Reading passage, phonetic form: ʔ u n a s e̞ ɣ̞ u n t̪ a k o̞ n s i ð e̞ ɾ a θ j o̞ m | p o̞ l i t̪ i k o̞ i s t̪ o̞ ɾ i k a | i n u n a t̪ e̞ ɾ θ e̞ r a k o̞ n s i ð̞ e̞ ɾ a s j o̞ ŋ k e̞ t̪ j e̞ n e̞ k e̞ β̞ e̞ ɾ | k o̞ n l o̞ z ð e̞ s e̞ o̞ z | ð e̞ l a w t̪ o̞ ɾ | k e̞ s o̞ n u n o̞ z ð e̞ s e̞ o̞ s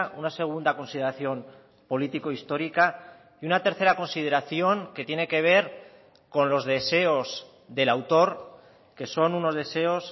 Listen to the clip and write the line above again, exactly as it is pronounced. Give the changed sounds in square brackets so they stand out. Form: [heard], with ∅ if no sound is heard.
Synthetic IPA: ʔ u n a s e̞ ɣ̞ u n [d̪] a k o̞ n s i ð e̞ ɾ a θ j o̞ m | p o̞ l i t̪ i k o̞ i s t̪ o̞ ɾ i k a | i [∅] u n a t̪ e̞ ɾ θ e̞ [ɾ] a k o̞ n s i ð̞ e̞ ɾ a [θ] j o̞ ŋ k e̞ t̪ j e̞ n e̞ k e̞ β̞ e̞ ɾ | k o̞ n l o̞ z ð e̞ s e̞ o̞ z | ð e̞ l a w t̪ o̞ ɾ | k e̞ s o̞ n u n o̞ z ð e̞ s e̞ o̞ s